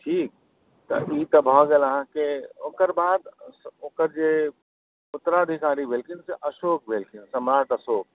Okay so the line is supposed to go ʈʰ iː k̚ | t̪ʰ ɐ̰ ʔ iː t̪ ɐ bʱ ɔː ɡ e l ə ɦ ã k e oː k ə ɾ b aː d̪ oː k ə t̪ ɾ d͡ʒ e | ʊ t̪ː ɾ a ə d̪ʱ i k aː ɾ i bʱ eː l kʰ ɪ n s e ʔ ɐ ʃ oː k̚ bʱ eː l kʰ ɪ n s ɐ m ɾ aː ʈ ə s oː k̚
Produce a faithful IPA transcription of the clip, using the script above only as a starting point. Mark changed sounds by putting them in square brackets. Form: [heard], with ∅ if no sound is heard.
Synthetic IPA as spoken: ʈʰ iː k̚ | [t̪] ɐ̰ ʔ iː t̪ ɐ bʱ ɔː ɡ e l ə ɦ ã k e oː k ə ɾ b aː d̪ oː k ə [∅] ɾ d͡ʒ e | ʊ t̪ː ɾ a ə d̪ʱ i k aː ɾ i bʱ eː l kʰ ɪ n s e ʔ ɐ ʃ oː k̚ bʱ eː l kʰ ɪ n s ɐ m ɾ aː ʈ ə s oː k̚